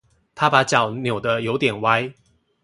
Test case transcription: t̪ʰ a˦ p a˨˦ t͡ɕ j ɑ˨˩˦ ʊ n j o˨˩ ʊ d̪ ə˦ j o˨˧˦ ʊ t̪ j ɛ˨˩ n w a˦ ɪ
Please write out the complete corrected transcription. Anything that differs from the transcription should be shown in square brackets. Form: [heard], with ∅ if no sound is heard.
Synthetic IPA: t̪ʰ a˦ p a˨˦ t͡ɕ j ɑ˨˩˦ ʊ n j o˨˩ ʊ d̪ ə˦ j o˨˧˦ ʊ t̪ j ɛ˨˩ n w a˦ ɪ